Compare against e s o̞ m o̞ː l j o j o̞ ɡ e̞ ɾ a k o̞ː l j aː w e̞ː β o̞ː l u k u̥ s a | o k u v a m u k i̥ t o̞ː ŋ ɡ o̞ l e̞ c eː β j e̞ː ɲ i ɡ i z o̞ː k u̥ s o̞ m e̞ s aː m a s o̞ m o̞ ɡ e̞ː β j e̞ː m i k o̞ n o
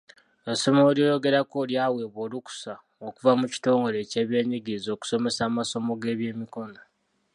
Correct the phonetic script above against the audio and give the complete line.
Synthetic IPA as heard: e s o̞ m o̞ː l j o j o̞ ɡ e̞ ɾ a k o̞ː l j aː w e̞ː β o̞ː l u k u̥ s a | o k u v a m u c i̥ t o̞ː ŋ ɡ o̞ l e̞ c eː β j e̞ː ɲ i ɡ i z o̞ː k u̥ s o̞ m e̞ s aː m a s o̞ m o̞ ɡ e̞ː β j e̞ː m i k o̞ n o